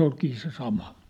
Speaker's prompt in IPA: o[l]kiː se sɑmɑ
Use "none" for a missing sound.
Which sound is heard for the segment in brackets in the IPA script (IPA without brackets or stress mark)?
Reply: l